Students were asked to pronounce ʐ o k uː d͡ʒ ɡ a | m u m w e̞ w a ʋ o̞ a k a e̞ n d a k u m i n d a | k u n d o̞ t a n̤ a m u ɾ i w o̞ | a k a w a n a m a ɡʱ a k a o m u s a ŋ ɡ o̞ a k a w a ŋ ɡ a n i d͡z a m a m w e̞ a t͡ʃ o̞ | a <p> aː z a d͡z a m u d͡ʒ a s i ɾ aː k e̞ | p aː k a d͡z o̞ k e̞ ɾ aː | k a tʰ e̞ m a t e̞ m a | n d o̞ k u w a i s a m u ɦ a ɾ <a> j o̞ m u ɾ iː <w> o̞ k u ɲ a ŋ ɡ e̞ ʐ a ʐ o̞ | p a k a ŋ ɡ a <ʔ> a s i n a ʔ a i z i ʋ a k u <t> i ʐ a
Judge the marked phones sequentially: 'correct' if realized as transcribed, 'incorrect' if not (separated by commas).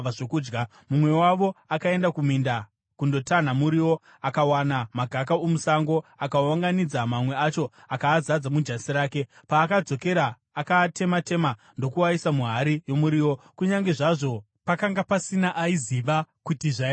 incorrect, incorrect, correct, incorrect, correct